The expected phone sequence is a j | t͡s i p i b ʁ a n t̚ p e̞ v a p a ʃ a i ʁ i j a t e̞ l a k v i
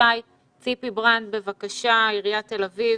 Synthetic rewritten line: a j | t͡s i p i b ʁ a n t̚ b e̞ v a k a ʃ a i ʁ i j a t e̞ l a v i